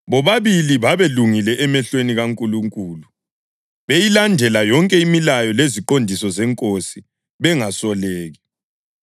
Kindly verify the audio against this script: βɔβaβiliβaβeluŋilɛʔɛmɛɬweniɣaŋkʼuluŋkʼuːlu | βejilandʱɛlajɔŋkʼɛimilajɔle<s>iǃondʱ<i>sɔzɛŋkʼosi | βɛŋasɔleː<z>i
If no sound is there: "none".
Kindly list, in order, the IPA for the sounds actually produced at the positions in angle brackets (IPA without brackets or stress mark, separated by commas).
z, i, ɣ